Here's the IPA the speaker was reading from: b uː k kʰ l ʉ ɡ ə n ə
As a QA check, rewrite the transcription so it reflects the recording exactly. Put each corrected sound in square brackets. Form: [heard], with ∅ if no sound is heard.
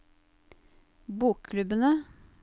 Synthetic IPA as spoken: b uː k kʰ l ʉ [b] ə n ə